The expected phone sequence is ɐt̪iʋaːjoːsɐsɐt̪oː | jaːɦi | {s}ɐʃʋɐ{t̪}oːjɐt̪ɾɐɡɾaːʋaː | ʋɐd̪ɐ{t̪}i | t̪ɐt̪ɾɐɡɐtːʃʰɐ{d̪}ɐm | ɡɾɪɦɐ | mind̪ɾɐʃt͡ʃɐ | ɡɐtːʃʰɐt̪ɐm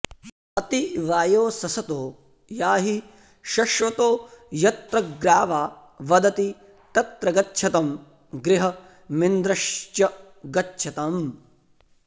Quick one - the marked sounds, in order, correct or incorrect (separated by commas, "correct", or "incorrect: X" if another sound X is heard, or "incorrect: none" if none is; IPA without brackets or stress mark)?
incorrect: ʃ, correct, correct, incorrect: t̪